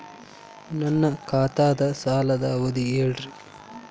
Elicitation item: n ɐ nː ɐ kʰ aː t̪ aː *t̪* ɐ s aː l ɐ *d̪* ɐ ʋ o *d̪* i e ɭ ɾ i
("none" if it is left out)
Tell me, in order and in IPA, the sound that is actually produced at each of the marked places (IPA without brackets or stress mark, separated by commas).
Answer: d̪, d̪, d̪